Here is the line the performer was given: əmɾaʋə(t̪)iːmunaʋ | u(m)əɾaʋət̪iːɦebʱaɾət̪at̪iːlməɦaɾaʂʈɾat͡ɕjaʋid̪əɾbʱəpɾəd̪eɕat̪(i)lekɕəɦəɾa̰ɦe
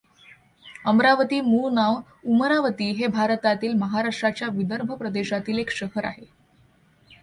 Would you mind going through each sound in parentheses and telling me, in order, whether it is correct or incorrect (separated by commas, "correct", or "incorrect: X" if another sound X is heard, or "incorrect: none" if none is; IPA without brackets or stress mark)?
correct, correct, incorrect: iː